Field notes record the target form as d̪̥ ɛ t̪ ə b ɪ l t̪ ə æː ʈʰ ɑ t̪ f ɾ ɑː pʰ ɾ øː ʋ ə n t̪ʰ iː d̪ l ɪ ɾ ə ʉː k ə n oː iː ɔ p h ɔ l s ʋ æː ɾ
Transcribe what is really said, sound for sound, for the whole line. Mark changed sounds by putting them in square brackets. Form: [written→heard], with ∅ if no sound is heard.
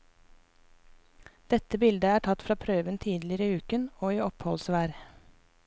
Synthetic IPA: d̪̥ ɛ t̪ ə b ɪ l [t̪→d̪] ə æː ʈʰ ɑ t̪ f ɾ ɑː pʰ ɾ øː ʋ ə n t̪ʰ iː d̪ l ɪ ɾ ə ʉː k ə n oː iː ɔ p h ɔ l s ʋ æː ɾ